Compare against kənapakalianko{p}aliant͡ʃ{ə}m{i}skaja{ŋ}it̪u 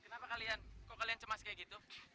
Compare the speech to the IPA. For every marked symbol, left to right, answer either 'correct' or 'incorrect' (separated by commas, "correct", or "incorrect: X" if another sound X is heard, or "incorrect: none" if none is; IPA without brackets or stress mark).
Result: incorrect: k, correct, incorrect: a, incorrect: ɡ